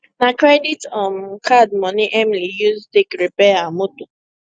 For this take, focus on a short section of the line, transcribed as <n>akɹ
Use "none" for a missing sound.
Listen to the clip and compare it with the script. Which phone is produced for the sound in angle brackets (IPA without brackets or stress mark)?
n